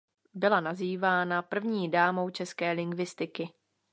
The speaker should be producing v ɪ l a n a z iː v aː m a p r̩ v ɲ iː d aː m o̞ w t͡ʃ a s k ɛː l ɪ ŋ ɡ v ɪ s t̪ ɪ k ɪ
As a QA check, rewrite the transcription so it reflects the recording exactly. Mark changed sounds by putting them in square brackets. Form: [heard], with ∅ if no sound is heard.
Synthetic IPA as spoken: [b] ɪ l a n a z iː v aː [n] a p r̩ v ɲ iː d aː m o̞ w t͡ʃ [ɛ] s k ɛː l ɪ ŋ ɡ v ɪ s t̪ ɪ k ɪ